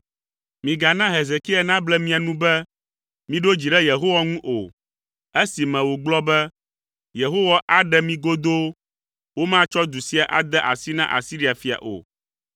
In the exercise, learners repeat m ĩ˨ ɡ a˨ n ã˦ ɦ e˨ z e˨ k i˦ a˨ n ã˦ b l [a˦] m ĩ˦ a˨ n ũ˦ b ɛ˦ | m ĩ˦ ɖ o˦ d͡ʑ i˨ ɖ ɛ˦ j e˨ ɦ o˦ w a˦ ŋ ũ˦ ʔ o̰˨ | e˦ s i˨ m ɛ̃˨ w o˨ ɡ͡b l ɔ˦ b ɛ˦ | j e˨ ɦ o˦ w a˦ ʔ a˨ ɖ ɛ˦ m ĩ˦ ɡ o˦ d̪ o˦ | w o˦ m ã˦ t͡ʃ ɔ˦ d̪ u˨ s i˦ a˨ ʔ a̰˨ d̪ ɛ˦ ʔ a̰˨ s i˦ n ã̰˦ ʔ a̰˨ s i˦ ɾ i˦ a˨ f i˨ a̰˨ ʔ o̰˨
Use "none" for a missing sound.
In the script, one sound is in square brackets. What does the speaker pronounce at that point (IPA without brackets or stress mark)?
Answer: ɛ˦